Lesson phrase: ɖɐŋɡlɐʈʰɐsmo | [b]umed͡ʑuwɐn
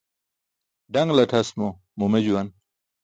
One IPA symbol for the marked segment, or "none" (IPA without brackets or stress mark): m